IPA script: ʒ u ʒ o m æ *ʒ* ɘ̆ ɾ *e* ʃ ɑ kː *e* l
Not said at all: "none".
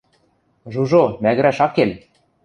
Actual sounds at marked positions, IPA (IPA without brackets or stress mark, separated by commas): ɣ, æ, e